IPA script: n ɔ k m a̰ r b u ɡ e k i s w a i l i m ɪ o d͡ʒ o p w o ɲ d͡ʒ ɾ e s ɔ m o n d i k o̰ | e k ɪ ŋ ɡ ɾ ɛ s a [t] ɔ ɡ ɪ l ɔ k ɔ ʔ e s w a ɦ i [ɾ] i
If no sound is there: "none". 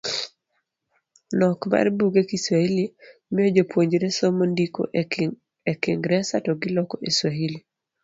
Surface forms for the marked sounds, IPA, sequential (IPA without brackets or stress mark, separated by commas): t, l